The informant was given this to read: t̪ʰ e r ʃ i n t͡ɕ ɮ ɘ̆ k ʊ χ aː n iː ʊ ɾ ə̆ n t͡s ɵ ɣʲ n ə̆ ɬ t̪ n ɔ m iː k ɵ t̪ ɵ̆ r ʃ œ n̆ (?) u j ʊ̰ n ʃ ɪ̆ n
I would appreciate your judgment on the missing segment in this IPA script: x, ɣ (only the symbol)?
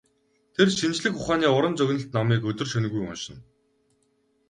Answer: ɣ